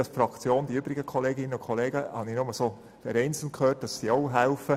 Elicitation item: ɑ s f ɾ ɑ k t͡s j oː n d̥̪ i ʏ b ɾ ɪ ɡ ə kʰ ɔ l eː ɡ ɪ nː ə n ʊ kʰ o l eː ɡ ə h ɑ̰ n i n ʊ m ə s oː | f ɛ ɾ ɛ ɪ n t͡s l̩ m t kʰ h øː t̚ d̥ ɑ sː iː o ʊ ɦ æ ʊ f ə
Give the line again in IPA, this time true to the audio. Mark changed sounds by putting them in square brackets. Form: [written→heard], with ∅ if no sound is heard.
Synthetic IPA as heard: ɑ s f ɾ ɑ k t͡s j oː n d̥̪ i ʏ b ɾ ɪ ɡ ə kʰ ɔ l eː ɡ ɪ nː ə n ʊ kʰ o l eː ɡ ə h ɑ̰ n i n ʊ m ə s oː | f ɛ ɾ ɛ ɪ n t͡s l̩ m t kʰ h øː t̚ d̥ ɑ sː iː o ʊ ɦ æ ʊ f ə